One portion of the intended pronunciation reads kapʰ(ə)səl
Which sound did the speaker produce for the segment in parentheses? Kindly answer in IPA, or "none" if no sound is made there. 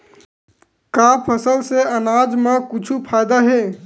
ə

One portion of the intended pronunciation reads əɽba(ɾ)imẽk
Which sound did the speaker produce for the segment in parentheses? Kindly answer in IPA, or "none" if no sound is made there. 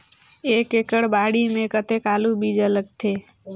ɽ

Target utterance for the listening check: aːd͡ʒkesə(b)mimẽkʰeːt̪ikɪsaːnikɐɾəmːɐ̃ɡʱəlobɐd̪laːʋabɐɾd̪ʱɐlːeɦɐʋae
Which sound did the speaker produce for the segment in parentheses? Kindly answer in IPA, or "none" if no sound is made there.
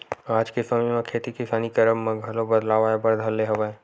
none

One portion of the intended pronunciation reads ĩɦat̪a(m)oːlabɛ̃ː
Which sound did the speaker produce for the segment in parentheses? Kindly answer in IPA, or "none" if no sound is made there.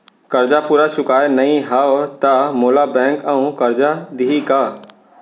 m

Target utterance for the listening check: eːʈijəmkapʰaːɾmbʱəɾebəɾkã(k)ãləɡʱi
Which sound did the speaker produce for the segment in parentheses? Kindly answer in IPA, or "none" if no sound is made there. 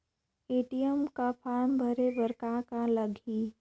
k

